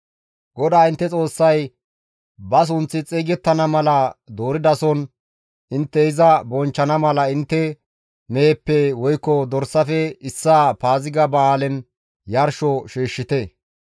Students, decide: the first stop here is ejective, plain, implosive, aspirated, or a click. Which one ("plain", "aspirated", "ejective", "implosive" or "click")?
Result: plain